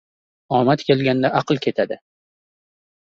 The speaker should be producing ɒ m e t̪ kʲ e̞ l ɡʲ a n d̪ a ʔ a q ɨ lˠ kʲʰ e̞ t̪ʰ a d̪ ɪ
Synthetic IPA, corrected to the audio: ɒ m a t̪ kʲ e̞ l ɡʲ a n d̪ a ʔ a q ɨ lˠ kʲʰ e̞ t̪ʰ a d̪ ɪ